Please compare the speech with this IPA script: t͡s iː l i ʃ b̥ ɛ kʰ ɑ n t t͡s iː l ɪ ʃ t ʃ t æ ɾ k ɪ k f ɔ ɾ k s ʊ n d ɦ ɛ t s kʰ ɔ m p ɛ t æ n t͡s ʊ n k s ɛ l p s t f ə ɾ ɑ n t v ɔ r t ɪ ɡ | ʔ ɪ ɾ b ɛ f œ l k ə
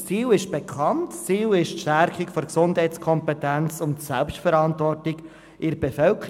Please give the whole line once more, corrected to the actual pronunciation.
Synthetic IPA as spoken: t͡s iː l ɪ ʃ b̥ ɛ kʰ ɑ n t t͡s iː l ɪ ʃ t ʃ t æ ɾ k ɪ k f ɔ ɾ k s ʊ n d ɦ ɛ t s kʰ ɔ m p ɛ t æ n t͡s ʊ n t s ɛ l p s t f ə ɾ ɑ n t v ɔ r t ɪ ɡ | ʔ ɪ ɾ b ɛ f œ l k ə